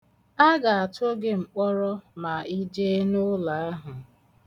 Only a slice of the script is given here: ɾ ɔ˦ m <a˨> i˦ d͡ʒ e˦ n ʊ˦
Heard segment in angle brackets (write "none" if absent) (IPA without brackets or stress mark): a˨